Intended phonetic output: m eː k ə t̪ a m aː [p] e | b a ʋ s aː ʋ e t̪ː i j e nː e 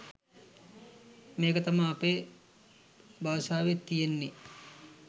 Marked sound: correct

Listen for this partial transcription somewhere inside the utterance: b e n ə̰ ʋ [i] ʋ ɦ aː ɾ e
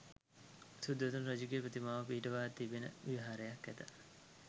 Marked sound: correct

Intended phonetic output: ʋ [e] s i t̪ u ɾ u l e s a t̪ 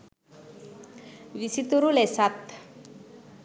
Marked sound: incorrect: i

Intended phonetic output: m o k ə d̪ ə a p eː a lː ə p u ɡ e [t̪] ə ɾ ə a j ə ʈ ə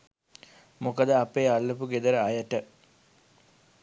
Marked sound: incorrect: d̪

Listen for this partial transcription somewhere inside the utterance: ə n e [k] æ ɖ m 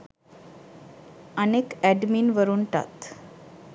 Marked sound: correct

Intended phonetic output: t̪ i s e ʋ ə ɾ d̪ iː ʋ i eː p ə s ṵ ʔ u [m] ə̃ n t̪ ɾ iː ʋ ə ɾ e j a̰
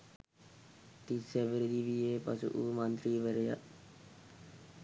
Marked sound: correct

